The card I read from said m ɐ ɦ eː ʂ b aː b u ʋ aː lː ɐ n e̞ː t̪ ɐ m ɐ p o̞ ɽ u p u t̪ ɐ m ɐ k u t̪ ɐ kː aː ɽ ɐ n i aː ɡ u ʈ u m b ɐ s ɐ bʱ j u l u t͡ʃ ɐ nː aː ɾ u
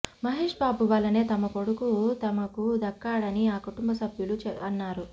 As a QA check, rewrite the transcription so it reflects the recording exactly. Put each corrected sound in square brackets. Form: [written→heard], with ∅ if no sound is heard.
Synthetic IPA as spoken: m ɐ ɦ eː ʂ b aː b u ʋ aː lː ɐ n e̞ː t̪ ɐ m ɐ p o̞ ɽ u [p→k] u t̪ ɐ m ɐ k u [t̪→d̪] ɐ kː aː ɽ ɐ n i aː [ɡ→k] u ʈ u m b ɐ s ɐ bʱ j u l u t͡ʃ ɐ nː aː ɾ u

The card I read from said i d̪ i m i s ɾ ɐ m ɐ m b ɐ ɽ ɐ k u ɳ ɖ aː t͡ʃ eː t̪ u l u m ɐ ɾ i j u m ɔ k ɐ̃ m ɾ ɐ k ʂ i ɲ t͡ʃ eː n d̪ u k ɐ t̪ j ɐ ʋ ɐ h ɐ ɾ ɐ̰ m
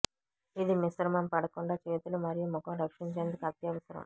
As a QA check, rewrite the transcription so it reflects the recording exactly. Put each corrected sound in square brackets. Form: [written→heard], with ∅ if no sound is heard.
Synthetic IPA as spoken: i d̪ i m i s ɾ ɐ m ɐ m [b→p] ɐ ɽ ɐ k u ɳ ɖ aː t͡ʃ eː t̪ u l u m ɐ ɾ i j u m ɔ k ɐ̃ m ɾ ɐ k ʂ i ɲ t͡ʃ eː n d̪ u k ɐ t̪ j ɐ ʋ ɐ [h→s] ɐ ɾ ɐ̰ m

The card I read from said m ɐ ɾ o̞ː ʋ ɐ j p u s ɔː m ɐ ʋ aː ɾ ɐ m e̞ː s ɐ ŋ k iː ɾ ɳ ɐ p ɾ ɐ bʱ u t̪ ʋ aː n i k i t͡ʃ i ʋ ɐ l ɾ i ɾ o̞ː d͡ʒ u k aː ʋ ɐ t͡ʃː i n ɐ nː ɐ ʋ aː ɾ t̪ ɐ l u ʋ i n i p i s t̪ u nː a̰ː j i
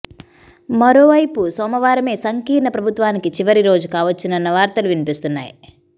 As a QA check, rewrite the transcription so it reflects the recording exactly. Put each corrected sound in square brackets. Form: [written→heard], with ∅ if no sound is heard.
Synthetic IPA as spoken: m ɐ ɾ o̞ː ʋ ɐ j p u s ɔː m ɐ ʋ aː ɾ ɐ m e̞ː s ɐ ŋ k iː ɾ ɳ ɐ p ɾ ɐ bʱ u t̪ ʋ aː n i k i t͡ʃ i ʋ ɐ [l→∅] ɾ i ɾ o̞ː d͡ʒ u k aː ʋ ɐ t͡ʃː i n ɐ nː ɐ ʋ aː ɾ t̪ ɐ l u ʋ i n i p i s t̪ u nː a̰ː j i

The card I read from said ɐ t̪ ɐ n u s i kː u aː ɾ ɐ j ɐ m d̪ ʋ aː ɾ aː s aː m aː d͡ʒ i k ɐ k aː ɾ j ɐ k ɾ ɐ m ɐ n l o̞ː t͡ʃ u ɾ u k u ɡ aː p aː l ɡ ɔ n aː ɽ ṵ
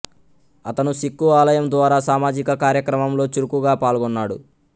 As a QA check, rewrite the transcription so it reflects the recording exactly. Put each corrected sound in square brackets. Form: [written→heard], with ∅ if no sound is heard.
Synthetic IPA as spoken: ɐ t̪ ɐ n u s i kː u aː [ɾ→l] ɐ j ɐ m d̪ ʋ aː ɾ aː s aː m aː d͡ʒ i k ɐ k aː ɾ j ɐ k ɾ ɐ m ɐ [n→m] l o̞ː t͡ʃ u ɾ u k u ɡ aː p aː l ɡ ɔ [n→nː] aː ɽ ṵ

